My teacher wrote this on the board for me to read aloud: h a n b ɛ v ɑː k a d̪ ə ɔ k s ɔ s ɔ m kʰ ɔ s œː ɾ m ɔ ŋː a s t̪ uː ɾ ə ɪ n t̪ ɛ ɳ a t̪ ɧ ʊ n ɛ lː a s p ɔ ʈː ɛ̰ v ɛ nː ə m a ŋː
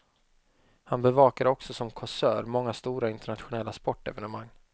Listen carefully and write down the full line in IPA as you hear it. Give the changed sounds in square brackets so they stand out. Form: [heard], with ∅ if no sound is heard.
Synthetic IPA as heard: h a n b ɛ v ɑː k a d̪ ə ɔ k s ɔ s ɔ m kʰ ɔ s œː ɾ m ɔ ŋː a s t̪ uː ɾ [a] ɪ n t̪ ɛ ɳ a t̪ ɧ ʊ n ɛ lː a s p ɔ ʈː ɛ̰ v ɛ [n] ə m a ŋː